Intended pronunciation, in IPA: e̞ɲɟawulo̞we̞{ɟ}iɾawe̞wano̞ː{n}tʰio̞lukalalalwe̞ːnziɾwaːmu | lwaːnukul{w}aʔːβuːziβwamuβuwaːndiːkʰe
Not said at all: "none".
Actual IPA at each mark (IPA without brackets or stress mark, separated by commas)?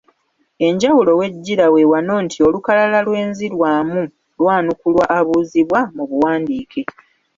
ɟː, n, w